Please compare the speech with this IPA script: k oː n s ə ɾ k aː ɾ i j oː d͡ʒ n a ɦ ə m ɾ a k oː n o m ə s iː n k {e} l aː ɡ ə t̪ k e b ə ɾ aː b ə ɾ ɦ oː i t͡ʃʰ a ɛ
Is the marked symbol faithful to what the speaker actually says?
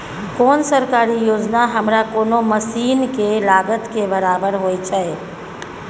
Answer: yes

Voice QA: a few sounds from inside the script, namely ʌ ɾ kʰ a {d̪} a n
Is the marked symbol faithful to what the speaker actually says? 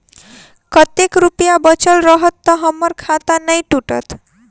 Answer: no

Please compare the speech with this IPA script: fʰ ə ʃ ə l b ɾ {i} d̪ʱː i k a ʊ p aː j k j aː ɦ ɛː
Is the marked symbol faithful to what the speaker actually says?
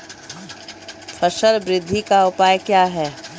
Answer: no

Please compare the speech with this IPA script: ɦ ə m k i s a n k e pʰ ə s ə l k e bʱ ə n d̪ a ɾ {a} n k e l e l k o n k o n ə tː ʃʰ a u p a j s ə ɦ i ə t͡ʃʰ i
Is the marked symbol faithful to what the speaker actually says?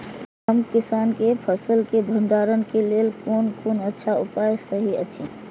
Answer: no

